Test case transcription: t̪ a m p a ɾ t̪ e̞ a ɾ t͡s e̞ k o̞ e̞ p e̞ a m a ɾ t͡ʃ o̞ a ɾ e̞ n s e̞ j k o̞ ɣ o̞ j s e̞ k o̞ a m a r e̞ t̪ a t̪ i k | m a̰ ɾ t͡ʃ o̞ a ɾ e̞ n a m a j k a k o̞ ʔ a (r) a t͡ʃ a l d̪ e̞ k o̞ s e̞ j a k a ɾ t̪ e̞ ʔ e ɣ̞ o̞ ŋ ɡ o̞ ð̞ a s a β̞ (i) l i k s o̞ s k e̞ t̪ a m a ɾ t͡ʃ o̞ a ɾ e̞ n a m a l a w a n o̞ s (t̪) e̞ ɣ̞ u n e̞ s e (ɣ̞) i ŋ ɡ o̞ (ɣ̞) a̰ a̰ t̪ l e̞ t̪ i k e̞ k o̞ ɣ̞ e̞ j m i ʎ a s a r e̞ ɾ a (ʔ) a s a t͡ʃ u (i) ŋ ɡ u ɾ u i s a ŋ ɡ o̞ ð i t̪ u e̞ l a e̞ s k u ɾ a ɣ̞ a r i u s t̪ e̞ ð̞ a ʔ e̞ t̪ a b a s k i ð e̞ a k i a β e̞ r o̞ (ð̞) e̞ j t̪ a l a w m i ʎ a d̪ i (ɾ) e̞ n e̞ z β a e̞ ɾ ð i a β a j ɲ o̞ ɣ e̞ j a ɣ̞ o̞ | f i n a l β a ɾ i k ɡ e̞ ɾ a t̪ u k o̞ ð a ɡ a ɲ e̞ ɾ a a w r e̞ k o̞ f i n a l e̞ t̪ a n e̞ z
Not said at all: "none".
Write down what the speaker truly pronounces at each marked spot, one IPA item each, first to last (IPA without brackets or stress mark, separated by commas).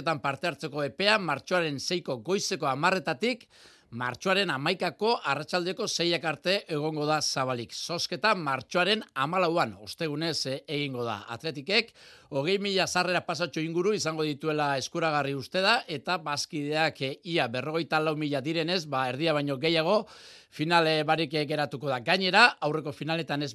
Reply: r, a, t̪, ɣ̞, ð̞, p, i, ɣ̞, ɾ